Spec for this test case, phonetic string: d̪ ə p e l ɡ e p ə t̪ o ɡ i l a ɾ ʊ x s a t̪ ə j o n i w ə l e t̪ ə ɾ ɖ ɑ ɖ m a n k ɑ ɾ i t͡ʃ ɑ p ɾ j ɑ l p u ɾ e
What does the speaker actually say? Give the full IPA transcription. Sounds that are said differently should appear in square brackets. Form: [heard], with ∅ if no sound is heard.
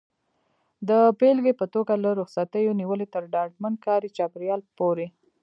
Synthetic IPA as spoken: d̪ ə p e l ɡ e p ə t̪ o ɡ [a] l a ɾ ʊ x s a t̪ ə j o n i w ə l e t̪ ə ɾ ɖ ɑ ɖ m a n k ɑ ɾ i t͡ʃ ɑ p ɾ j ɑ l p [o] ɾ e